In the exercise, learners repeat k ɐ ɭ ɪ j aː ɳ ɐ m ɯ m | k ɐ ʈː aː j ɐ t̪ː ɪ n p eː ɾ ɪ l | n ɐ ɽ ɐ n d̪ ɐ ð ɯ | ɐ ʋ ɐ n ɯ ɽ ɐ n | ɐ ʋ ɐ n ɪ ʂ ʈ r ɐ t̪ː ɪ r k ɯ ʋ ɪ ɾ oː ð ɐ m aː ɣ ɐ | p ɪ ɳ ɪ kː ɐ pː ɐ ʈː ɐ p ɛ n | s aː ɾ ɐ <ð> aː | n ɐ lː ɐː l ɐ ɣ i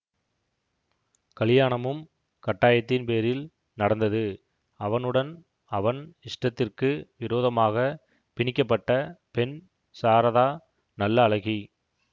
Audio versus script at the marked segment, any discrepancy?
no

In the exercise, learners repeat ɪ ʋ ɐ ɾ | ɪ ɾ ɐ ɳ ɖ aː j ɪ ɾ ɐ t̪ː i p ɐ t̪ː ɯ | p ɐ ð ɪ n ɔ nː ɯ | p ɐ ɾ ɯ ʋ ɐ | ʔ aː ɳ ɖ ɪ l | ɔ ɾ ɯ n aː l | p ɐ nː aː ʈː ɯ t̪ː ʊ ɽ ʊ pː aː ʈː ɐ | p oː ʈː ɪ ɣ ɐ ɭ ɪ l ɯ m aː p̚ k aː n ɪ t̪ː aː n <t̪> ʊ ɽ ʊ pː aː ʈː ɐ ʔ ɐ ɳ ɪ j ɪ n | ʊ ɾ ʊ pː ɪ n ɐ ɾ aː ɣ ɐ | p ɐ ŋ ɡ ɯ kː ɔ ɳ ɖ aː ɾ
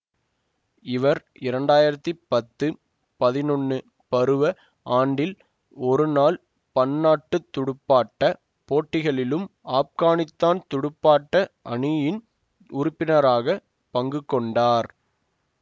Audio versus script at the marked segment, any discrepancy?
no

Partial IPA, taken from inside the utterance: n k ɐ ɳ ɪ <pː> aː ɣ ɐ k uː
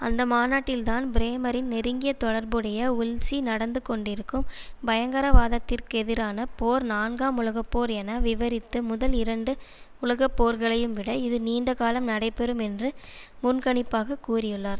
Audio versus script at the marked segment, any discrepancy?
no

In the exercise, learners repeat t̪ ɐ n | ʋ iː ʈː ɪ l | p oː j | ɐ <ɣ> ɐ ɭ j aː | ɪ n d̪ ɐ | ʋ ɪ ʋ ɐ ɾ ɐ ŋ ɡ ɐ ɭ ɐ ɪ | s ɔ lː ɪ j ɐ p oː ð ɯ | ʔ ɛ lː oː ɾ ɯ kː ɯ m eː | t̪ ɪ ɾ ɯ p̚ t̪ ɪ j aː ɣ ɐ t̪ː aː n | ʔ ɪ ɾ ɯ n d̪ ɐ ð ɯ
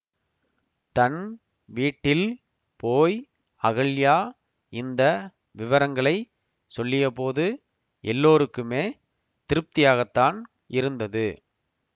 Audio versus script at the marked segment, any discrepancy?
no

